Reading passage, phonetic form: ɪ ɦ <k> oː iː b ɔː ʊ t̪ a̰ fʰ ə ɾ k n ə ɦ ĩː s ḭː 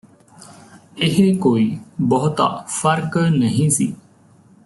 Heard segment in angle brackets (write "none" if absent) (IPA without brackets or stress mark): k